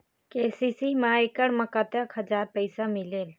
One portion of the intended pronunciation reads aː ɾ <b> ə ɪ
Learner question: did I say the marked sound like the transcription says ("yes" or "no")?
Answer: no